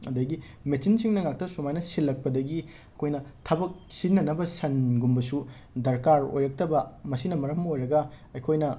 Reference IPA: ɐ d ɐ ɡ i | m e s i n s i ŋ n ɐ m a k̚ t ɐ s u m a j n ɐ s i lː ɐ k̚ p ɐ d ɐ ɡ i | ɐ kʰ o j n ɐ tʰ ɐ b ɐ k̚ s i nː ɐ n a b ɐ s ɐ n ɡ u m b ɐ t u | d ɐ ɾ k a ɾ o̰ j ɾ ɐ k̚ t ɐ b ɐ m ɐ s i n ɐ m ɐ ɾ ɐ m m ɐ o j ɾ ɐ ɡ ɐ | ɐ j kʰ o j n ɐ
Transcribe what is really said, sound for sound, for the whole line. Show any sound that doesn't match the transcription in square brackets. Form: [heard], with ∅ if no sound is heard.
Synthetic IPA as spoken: ɐ d ɐ ɡ i | m e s i n s i ŋ n ɐ [ŋ] a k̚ t ɐ s u m a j n ɐ s i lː ɐ k̚ p ɐ d ɐ ɡ i | ɐ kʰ o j n ɐ tʰ ɐ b ɐ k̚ s i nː ɐ n [ɐ] b ɐ s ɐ n ɡ u m b ɐ [s] u | d ɐ ɾ k a ɾ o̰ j ɾ ɐ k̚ t ɐ b ɐ m ɐ s i n ɐ m ɐ ɾ ɐ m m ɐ o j ɾ ɐ ɡ ɐ | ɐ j kʰ o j n ɐ